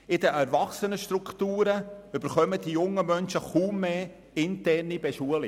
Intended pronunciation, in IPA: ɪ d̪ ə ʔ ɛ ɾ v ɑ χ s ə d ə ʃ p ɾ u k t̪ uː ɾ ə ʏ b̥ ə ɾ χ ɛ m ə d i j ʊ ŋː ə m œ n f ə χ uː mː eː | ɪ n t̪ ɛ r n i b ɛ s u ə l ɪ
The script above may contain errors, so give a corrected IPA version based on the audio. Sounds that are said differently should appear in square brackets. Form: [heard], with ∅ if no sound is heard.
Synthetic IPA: ɪ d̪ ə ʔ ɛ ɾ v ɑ χ s ə [n] ə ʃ [t] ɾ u k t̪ uː ɾ ə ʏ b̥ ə ɾ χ [œ] m ə d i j ʊ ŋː ə m œ n [ʃ] ə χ uː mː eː | ɪ n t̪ ɛ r n i b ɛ [ʃ] u ə l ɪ